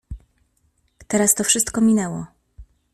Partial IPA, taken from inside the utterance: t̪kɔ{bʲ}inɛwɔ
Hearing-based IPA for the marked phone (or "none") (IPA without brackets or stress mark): mʲ